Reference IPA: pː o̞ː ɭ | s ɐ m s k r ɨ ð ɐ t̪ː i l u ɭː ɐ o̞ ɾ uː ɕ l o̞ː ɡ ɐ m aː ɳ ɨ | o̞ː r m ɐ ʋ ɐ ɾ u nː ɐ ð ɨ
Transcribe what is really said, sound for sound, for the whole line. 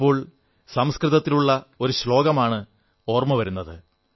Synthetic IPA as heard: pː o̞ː ɭ | s ɐ m s k r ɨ ð ɐ t̪ː i l u ɭː ɐ o̞ ɾ u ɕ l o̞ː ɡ ɐ m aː ɳ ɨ | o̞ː r m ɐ ʋ ɐ ɾ u nː ɐ ð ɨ